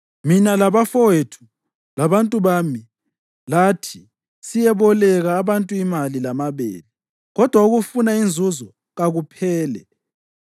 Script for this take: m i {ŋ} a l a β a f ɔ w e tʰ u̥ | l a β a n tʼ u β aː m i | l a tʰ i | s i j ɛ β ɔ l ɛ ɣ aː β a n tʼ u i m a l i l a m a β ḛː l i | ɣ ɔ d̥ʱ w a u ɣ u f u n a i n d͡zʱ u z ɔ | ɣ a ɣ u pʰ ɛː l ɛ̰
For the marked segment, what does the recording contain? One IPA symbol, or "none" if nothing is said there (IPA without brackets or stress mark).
n